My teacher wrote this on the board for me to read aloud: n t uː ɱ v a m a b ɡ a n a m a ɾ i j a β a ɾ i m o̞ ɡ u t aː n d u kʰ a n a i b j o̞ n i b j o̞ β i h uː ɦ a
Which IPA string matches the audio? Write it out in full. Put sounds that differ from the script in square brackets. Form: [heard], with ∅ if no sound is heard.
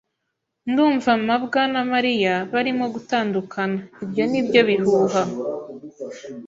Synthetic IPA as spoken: n [d] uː ɱ v a m a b ɡ a n a m a ɾ i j a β a ɾ i m o̞ ɡ u t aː n d u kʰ a n a i b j o̞ n i b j o̞ β i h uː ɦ a